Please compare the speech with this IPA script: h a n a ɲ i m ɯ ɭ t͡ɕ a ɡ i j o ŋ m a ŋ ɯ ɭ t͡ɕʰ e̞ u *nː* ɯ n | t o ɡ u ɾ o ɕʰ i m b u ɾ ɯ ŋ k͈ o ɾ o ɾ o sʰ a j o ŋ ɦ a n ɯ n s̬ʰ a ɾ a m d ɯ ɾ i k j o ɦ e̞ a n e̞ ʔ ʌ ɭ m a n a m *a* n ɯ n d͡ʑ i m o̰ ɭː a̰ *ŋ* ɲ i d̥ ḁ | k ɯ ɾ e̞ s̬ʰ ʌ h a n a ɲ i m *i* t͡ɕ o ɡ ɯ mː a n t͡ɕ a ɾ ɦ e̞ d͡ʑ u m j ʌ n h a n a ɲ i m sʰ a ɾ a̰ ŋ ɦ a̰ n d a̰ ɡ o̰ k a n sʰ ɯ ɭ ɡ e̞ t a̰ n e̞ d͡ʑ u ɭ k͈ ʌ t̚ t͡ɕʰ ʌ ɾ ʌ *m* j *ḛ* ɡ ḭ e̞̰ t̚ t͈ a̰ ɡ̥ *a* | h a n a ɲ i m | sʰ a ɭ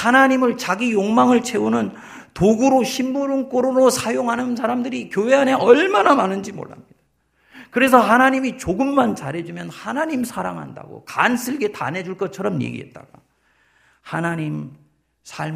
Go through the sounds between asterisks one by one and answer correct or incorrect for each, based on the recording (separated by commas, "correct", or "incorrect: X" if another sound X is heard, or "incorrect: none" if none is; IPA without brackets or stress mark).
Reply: incorrect: n, correct, incorrect: m, correct, correct, correct, correct